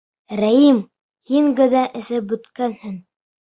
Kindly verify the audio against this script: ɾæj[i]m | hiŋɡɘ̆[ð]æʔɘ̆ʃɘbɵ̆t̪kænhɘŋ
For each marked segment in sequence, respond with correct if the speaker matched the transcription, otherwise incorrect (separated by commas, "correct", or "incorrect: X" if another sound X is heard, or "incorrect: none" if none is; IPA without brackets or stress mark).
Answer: correct, correct